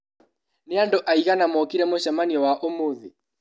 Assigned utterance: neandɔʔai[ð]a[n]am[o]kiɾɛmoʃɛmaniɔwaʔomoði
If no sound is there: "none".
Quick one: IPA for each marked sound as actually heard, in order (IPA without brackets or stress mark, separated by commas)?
ɣ, n, ɔ